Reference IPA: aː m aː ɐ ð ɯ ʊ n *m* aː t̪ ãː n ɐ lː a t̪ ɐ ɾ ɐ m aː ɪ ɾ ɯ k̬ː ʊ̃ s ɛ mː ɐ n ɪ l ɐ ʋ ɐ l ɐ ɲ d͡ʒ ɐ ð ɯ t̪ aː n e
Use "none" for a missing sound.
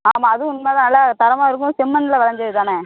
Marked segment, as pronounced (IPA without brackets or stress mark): m